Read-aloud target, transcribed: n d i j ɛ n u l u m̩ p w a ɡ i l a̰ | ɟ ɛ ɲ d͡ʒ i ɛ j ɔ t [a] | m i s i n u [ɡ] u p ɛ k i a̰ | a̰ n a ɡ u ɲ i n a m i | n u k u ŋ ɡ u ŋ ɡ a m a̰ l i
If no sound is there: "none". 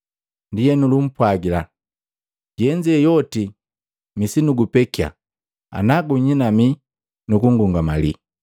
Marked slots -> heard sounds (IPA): i, ɡ

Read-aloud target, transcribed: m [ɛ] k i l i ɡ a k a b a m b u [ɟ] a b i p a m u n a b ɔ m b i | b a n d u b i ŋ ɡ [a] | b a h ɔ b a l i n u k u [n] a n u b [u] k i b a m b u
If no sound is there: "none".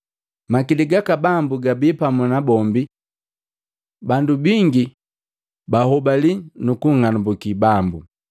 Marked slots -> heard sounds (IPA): a, ɡ, i, ŋ, u

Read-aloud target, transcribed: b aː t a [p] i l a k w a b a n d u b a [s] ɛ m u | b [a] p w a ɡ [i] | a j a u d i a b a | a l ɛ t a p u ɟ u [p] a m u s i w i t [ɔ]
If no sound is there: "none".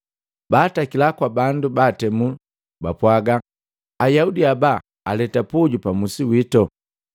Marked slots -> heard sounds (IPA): k, t, a, a, p, ɔ

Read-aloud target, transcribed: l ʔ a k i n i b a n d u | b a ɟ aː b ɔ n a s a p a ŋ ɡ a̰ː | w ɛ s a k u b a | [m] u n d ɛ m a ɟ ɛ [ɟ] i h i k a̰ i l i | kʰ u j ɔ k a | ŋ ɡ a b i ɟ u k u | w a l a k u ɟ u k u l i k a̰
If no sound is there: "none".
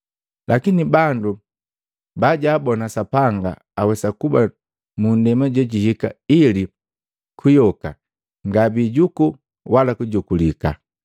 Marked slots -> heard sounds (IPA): m, ɟ

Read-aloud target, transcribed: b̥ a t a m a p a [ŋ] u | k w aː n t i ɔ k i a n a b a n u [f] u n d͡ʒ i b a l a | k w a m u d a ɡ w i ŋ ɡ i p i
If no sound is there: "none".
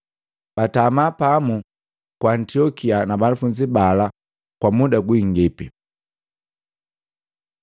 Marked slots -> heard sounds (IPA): m, f

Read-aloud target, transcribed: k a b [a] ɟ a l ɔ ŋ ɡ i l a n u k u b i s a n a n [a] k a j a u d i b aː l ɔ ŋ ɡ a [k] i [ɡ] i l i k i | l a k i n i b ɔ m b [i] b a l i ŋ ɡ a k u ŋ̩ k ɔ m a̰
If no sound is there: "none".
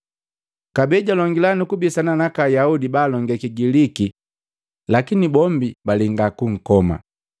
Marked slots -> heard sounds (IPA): ɛ, a, k, ɡ, i

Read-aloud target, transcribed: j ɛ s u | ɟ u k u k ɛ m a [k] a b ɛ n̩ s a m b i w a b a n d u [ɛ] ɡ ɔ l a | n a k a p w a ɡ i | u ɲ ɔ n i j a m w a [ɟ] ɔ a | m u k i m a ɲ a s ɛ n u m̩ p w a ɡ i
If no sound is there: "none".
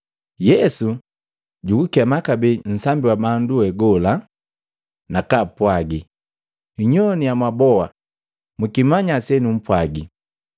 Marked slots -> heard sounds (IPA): k, ɛ, b

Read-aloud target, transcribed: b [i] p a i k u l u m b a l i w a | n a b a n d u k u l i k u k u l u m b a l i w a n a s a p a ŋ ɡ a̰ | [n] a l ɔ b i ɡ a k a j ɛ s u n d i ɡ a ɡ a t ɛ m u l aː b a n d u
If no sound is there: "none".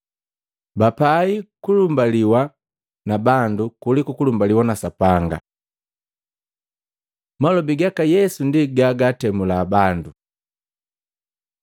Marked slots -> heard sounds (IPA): a, m

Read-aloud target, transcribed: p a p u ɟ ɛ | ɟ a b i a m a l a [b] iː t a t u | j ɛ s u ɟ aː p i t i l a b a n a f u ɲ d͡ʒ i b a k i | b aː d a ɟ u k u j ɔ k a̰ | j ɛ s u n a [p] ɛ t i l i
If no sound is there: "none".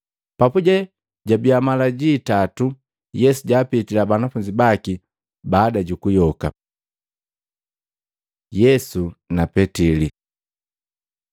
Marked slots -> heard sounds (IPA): ɟ, p

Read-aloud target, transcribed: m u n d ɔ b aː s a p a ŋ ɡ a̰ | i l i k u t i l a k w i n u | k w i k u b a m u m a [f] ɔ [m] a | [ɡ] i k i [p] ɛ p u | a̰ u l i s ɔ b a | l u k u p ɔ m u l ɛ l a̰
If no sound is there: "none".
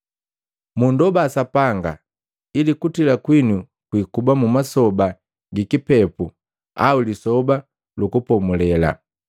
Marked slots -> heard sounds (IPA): s, b, ɡ, p

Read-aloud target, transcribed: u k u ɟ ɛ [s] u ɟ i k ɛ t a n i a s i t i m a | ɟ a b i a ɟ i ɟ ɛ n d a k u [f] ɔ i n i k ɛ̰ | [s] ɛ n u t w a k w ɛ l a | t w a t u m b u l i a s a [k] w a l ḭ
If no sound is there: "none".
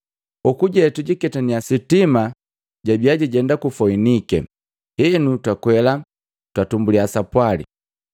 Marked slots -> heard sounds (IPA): t, f, h, p

